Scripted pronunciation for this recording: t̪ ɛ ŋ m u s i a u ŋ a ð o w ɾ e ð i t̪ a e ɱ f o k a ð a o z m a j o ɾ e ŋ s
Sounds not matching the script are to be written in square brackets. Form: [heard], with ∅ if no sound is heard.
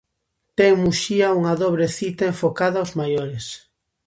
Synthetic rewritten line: t̪ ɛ ŋ m u [ʃ] i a u ŋ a ð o [β] ɾ e [θ] i t̪ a e ɱ f o k a ð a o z m a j o ɾ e [∅] s